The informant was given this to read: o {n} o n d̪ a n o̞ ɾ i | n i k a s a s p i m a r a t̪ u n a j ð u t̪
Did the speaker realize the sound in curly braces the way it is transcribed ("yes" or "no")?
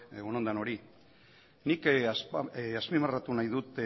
yes